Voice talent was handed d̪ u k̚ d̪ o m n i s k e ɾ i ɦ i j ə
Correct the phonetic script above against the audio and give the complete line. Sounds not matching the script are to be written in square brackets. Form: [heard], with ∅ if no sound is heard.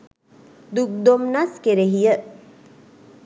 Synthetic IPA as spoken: d̪ u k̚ d̪ o m n [a] s k e ɾ [e] ɦ i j ə